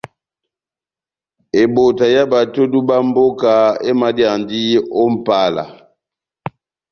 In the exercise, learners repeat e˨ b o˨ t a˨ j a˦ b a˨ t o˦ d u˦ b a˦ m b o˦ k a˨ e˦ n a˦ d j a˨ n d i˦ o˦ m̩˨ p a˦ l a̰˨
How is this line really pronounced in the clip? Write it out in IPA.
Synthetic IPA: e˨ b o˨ t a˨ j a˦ b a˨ t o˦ d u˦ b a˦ m b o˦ k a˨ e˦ m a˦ d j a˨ n d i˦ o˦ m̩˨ p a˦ l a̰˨